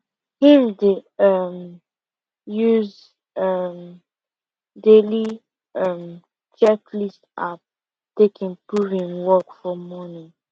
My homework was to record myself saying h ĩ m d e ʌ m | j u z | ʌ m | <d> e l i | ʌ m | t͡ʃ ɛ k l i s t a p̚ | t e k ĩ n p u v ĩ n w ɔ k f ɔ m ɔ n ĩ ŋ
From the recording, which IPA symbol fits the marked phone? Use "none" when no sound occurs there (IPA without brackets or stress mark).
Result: d